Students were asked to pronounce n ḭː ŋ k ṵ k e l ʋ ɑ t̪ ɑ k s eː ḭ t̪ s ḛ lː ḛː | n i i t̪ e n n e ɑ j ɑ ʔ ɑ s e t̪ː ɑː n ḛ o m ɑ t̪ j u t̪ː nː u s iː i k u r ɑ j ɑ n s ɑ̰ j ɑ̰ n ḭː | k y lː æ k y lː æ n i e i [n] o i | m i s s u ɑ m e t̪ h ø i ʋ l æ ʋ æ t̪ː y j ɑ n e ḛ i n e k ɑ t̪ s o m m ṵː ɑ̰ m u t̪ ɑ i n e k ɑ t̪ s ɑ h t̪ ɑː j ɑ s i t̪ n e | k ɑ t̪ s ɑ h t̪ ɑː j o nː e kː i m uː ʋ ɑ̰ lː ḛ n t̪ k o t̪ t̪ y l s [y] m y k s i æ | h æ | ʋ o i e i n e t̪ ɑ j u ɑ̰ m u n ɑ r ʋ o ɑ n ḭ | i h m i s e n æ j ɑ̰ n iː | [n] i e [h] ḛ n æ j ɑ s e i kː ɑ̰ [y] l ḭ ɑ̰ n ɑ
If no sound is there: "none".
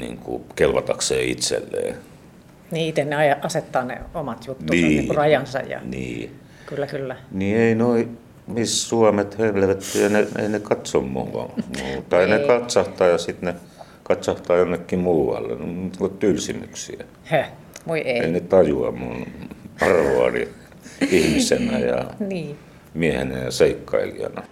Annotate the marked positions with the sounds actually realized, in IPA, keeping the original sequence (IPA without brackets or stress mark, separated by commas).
n, i, m, h, i